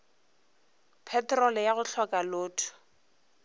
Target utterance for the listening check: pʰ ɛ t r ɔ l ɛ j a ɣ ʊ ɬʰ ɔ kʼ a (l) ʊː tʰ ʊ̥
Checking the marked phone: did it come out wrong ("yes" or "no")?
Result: no